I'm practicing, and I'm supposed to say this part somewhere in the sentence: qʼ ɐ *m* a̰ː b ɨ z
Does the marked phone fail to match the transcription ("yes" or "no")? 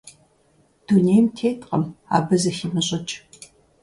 no